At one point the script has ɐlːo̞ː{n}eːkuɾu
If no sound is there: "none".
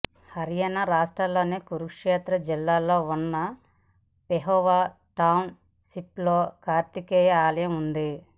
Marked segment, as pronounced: n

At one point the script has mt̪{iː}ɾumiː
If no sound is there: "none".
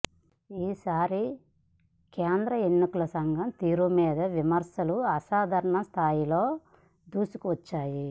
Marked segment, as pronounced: iː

